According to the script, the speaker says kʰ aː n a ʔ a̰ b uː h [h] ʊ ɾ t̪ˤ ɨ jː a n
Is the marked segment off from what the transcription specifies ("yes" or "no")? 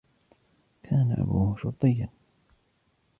yes